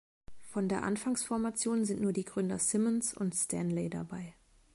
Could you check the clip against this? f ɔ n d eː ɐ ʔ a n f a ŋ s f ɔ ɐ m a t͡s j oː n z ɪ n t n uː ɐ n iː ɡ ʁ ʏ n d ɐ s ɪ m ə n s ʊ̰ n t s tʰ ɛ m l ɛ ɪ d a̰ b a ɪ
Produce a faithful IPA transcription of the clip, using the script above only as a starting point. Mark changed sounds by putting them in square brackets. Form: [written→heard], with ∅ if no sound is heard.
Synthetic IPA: f ɔ n d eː ɐ ʔ a n f a ŋ s f ɔ ɐ m a t͡s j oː n z ɪ n t n uː ɐ [n→d] iː ɡ ʁ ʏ n d ɐ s ɪ m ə n s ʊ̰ n t s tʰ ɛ [m→n] l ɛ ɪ d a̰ b a ɪ